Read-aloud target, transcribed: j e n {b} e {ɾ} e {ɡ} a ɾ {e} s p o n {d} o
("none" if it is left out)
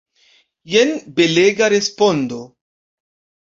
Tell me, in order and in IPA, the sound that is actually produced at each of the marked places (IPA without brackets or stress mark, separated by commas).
b, l, ɡ, e, d